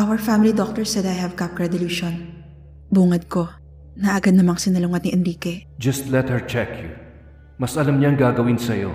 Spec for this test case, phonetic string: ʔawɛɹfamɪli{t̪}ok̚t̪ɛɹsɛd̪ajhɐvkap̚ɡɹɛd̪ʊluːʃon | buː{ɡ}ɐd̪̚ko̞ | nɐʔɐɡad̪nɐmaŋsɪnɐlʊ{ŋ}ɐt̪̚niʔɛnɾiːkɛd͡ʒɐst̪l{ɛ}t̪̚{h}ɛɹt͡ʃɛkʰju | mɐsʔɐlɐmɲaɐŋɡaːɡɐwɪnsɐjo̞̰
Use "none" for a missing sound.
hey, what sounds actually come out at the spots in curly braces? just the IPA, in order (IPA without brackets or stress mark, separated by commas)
d̪, ŋ, ŋ, ɛ, h